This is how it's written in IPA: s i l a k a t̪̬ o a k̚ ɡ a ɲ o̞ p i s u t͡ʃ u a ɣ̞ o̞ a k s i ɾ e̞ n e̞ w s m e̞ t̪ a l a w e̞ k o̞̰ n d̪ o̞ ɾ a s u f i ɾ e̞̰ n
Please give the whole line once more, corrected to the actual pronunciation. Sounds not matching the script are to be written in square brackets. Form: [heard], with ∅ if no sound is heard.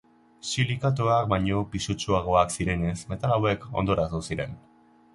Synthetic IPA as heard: s i l [i] k a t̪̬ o a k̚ [b] a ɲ o̞ p i s u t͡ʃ u a ɣ̞ o̞ a k s i ɾ e̞ n e̞ [∅] s m e̞ t̪ a l a w e̞ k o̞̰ n d̪ o̞ ɾ a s u [s] i ɾ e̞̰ n